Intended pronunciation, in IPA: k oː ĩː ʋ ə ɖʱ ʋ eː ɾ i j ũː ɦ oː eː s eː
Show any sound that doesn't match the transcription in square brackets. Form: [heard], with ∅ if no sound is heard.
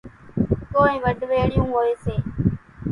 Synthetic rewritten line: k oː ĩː ʋ ə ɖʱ ʋ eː [ɽ] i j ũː ɦ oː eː s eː